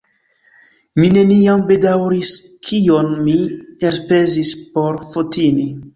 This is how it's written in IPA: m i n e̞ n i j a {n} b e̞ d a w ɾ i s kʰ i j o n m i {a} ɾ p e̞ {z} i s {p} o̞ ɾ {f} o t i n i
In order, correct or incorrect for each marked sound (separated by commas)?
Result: incorrect, incorrect, correct, correct, correct